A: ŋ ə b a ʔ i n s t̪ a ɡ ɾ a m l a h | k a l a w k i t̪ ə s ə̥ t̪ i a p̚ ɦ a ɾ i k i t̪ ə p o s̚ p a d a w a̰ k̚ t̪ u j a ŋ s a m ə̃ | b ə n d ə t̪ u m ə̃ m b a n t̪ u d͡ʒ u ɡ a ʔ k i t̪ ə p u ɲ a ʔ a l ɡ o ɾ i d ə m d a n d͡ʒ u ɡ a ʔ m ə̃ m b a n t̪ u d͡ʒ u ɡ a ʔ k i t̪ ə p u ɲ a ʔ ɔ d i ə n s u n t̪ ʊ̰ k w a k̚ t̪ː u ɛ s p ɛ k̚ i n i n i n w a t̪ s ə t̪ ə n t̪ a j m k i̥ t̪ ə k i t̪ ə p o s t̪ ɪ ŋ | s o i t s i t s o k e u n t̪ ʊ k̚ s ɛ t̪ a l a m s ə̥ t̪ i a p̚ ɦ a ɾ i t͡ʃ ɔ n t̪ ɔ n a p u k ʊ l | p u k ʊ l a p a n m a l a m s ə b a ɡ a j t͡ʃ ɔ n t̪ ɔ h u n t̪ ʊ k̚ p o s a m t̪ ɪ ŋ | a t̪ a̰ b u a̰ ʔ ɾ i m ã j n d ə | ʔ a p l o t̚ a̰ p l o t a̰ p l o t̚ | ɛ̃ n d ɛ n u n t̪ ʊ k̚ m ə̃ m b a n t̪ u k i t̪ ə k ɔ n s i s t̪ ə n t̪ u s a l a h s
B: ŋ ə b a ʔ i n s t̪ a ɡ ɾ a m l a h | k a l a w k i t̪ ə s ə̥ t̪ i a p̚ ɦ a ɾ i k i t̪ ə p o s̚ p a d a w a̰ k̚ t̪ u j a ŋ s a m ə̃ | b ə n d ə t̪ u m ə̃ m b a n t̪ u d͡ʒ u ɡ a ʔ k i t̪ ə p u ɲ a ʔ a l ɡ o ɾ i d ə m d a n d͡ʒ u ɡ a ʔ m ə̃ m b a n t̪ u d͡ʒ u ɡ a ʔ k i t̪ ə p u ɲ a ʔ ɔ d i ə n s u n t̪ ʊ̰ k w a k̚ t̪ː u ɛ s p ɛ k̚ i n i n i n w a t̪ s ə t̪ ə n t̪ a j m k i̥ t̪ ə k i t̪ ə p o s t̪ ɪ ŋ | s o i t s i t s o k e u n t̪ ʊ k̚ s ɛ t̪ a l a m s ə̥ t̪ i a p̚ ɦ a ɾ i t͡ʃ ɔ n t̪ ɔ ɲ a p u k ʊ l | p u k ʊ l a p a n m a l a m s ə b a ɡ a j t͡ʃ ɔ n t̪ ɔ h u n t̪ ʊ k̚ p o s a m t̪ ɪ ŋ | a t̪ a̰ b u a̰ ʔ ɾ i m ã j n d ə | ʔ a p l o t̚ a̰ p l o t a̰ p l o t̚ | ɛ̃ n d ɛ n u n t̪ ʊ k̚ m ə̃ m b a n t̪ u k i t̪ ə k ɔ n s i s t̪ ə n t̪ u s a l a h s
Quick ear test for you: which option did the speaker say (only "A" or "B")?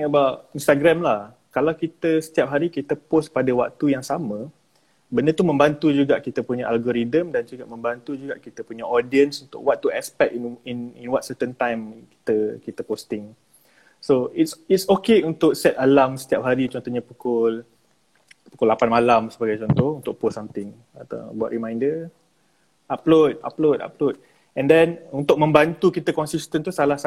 B